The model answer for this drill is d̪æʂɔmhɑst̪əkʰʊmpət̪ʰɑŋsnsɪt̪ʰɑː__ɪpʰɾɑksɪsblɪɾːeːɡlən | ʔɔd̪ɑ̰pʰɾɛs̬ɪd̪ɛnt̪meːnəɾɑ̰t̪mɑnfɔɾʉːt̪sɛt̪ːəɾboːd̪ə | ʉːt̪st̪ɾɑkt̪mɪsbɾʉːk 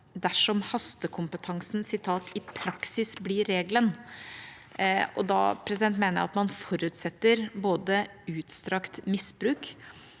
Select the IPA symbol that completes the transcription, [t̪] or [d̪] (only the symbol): t̪